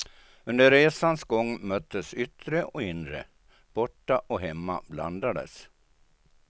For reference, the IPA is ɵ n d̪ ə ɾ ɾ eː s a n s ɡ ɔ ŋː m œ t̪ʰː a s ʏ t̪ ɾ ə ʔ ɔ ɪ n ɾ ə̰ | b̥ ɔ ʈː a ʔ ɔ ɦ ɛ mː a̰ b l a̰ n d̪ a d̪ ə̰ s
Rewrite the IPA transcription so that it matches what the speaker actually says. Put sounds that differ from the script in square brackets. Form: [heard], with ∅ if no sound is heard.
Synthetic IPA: ɵ n d̪ ə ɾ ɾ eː s a n s ɡ ɔ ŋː m œ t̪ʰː [ə] s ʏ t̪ ɾ ə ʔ ɔ ɪ n ɾ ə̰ | b̥ ɔ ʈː a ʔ ɔ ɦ ɛ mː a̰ b l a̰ n d̪ a d̪ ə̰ s